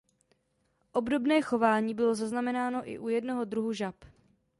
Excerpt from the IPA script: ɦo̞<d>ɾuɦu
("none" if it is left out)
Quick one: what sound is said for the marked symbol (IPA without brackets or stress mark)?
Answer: d